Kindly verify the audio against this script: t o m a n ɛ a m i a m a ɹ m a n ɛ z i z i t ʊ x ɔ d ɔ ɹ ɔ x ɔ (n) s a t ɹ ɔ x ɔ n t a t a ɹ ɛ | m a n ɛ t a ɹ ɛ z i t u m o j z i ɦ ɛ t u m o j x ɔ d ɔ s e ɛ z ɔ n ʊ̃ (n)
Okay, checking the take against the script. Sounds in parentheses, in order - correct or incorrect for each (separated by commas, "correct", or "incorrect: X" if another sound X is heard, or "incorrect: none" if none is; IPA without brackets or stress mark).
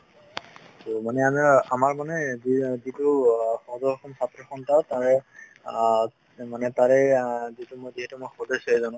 incorrect: m, incorrect: none